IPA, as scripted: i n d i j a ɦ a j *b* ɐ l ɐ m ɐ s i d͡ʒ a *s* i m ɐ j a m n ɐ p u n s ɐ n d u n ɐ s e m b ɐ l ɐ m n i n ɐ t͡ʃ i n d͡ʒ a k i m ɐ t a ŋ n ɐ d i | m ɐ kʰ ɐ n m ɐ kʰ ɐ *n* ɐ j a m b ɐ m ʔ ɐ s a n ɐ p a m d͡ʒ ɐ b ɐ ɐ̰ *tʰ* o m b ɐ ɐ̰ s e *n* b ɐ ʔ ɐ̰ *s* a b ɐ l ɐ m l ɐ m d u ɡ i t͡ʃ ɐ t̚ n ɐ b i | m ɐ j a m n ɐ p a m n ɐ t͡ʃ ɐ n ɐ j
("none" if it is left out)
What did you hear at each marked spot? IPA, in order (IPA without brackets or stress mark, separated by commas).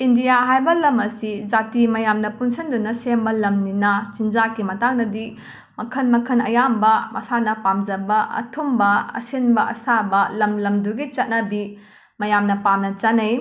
b, t, n, tʰ, n, s